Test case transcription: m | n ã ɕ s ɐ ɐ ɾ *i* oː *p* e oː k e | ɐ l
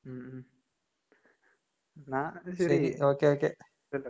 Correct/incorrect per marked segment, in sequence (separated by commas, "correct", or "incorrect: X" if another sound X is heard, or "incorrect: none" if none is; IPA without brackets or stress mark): correct, incorrect: k